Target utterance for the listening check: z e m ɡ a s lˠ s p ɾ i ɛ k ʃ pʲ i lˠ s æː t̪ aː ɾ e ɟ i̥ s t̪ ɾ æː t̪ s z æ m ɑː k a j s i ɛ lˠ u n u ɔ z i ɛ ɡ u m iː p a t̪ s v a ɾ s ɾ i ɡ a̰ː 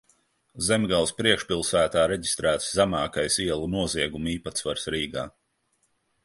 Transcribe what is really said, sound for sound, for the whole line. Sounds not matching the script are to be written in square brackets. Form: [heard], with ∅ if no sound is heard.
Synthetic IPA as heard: z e m ɡ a [∅] lˠ s p ɾ i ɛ k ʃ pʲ i lˠ s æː t̪ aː ɾ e ɟ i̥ s t̪ ɾ æː t̪ s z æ m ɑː k a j s i ɛ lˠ u n u ɔ z i ɛ ɡ u m iː p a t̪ s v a ɾ s ɾ [iː] ɡ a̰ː